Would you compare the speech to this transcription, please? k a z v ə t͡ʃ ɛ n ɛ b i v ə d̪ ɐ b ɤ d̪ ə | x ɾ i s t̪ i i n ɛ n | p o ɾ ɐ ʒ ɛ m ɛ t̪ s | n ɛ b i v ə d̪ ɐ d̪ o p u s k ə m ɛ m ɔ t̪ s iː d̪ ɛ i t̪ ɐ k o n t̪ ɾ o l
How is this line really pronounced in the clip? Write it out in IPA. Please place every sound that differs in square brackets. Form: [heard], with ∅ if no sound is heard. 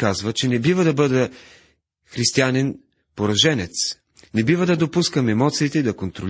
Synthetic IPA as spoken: k a z v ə t͡ʃ ɛ n ɛ b i v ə d̪ ɐ b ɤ d̪ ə | x ɾ i s t̪ i [a] n ɛ n | p o ɾ ɐ ʒ ɛ [n] ɛ t̪ s | n ɛ b i v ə d̪ ɐ d̪ o p u s k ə m ɛ m ɔ t̪ s iː [t̪] ɛ i [d̪] ɐ k o n t̪ ɾ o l